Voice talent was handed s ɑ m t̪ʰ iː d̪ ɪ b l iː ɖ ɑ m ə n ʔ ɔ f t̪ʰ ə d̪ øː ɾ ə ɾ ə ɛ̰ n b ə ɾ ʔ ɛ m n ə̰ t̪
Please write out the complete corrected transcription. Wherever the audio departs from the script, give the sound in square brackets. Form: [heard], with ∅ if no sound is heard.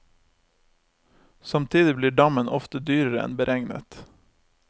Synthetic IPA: s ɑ m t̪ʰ iː d̪ ɪ b l iː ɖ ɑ m ə n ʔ ɔ f [t̪] ə d̪ [yː] ɾ ə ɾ ə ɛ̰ n b ə ɾ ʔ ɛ [ŋ] n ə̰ t̪